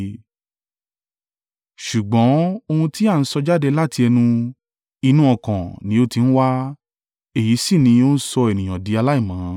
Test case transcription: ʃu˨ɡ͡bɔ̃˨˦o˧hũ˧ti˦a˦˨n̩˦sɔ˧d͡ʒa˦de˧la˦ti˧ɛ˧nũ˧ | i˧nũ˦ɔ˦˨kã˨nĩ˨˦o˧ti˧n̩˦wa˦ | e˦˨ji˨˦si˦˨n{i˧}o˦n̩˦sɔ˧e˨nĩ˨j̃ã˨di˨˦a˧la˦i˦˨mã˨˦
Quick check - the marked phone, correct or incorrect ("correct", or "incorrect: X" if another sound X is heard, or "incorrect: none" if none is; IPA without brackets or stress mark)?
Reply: incorrect: ĩ˧